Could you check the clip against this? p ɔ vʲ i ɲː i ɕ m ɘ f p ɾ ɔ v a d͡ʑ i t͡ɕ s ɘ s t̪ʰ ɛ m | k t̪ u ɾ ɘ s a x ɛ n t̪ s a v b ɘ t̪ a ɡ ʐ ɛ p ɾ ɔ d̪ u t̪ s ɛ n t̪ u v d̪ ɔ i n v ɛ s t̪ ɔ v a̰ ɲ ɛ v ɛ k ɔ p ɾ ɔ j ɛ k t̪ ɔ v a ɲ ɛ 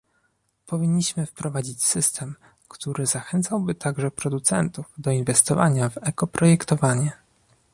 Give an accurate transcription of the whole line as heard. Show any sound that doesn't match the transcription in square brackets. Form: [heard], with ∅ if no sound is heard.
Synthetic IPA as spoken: p ɔ vʲ i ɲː i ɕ m ɘ f p ɾ ɔ v a d͡ʑ i t͡ɕ s ɘ s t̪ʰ ɛ m | k t̪ u ɾ ɘ [z] a x ɛ n t̪ s a [w] b ɘ t̪ a ɡ ʐ ɛ p ɾ ɔ d̪ u t̪ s ɛ n t̪ u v d̪ ɔ i n v ɛ s t̪ ɔ v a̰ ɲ [a] v ɛ k ɔ p ɾ ɔ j ɛ k t̪ ɔ v a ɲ ɛ

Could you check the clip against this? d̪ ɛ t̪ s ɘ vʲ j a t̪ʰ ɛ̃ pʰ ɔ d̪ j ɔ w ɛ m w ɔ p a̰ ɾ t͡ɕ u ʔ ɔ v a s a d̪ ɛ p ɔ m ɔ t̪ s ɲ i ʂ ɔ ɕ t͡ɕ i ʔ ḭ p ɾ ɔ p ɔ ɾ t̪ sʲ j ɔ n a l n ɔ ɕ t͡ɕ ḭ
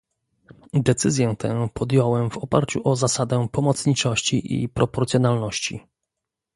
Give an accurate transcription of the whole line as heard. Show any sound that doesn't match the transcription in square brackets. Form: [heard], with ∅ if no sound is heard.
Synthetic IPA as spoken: d̪ ɛ t̪ s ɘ [zʲ] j [ɛ] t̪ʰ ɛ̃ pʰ ɔ d̪ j ɔ w ɛ m [v] ɔ p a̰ ɾ t͡ɕ u ʔ ɔ [z] a s a d̪ ɛ p ɔ m ɔ t̪ s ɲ i [t͡ʂ] ɔ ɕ t͡ɕ i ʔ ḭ p ɾ ɔ p ɔ ɾ t̪ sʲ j ɔ n a l n ɔ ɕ t͡ɕ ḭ

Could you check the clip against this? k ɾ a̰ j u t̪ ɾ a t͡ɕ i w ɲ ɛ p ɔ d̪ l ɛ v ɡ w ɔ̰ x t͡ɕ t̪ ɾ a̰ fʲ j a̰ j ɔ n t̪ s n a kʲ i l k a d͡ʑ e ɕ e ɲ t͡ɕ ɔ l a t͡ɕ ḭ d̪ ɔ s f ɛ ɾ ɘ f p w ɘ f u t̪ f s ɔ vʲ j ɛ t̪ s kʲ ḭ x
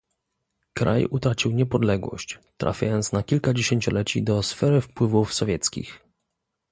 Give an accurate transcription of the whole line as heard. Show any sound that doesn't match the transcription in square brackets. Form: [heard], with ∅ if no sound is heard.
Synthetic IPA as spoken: k ɾ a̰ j u t̪ ɾ a t͡ɕ i w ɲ ɛ p ɔ d̪ l ɛ [∅] ɡ w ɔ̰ [ɕ] t͡ɕ t̪ ɾ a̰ fʲ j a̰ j ɔ n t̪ s n a kʲ i l k a d͡ʑ e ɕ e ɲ t͡ɕ ɔ l [ɛ] t͡ɕ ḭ d̪ ɔ s f ɛ ɾ ɘ f p w ɘ [v] u [∅] f s ɔ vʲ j ɛ t̪ s kʲ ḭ x

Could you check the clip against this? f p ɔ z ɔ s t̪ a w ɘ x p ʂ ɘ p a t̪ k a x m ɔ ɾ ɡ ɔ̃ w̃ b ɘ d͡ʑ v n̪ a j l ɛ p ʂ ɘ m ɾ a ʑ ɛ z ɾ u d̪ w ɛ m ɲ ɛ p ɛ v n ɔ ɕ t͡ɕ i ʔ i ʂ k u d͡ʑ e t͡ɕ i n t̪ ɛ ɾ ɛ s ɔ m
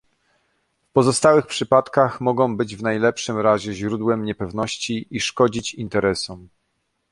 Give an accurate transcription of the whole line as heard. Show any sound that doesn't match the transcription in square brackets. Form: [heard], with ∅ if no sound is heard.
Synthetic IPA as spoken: f p ɔ z ɔ s t̪ a w ɘ x p ʂ ɘ p a t̪ k a x m ɔ [∅] ɡ ɔ̃ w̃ b ɘ d͡ʑ v n̪ a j l ɛ p ʂ ɘ m ɾ a ʑ ɛ [ʑ] ɾ u d̪ w ɛ m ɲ ɛ p ɛ v n ɔ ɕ t͡ɕ i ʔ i ʂ k [ɔ] d͡ʑ [i] t͡ɕ i n t̪ ɛ ɾ ɛ s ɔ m

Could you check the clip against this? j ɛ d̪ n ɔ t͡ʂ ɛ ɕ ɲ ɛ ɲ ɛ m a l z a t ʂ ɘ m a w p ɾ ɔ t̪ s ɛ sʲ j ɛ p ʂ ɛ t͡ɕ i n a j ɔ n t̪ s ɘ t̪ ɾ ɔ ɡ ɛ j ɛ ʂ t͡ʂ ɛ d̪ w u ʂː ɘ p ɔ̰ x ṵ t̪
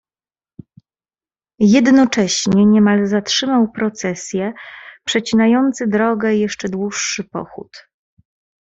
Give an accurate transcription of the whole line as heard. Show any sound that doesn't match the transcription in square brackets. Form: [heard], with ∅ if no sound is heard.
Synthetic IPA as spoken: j ɛ d̪ n ɔ t͡ʂ ɛ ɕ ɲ ɛ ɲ ɛ m a l z a t ʂ ɘ m a w p ɾ ɔ t̪ s ɛ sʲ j ɛ p ʂ ɛ t͡ɕ i n a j ɔ n t̪ s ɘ [d̪] ɾ ɔ ɡ ɛ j ɛ ʂ t͡ʂ ɛ d̪ w u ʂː ɘ p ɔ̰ x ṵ t̪

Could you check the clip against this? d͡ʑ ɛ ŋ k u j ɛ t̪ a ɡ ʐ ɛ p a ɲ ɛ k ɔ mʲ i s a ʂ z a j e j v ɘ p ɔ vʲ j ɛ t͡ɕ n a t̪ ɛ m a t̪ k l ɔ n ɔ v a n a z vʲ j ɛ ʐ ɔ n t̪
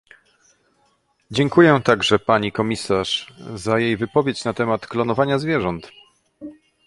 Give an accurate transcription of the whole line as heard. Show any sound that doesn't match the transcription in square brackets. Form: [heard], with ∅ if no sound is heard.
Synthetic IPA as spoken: d͡ʑ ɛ ŋ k u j ɛ t̪ a ɡ ʐ ɛ p a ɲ [i] k ɔ mʲ i s a ʂ z a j e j v ɘ p ɔ vʲ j [e] t͡ɕ n a t̪ ɛ m a t̪ k l ɔ n ɔ v a [ɲ] a z vʲ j ɛ ʐ ɔ n t̪

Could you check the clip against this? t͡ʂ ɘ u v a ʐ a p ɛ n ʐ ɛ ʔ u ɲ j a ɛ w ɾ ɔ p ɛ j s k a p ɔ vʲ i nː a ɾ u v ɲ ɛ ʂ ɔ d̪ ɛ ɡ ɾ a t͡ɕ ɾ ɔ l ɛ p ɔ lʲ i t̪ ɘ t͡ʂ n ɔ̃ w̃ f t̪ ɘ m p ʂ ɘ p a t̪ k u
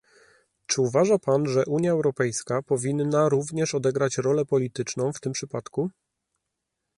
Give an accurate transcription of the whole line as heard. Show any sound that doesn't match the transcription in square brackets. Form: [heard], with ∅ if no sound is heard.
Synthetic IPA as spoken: t͡ʂ ɘ u v a ʐ a p [a] n ʐ ɛ ʔ u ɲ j a ɛ w ɾ ɔ p ɛ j s k a p ɔ vʲ i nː a ɾ u v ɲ ɛ ʂ ɔ d̪ ɛ ɡ ɾ a t͡ɕ ɾ ɔ l ɛ p ɔ lʲ i t̪ ɘ t͡ʂ n ɔ̃ w̃ f t̪ ɘ m p ʂ ɘ p a t̪ k u

